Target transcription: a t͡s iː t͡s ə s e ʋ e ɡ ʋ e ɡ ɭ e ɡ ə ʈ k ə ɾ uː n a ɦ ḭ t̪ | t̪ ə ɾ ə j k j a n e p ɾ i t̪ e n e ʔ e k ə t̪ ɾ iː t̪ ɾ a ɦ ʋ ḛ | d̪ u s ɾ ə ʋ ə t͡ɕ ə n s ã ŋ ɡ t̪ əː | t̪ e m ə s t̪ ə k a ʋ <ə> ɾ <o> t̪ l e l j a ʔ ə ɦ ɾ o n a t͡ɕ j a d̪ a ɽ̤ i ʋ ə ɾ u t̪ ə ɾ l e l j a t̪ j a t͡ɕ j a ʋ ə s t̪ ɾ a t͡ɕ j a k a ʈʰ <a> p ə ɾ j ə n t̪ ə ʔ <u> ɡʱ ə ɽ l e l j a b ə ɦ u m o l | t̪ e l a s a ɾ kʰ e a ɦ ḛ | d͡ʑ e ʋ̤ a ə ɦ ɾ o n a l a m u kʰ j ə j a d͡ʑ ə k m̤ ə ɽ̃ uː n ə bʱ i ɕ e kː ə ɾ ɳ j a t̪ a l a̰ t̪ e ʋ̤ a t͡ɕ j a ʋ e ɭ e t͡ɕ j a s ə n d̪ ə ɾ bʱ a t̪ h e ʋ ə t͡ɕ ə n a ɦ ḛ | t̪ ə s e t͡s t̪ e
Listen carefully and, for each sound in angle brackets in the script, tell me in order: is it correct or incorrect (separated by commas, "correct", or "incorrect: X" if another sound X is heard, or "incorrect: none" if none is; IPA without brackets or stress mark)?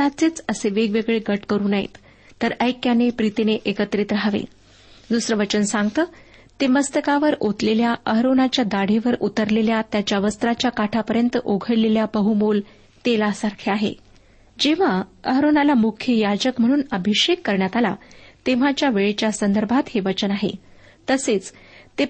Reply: correct, correct, correct, incorrect: o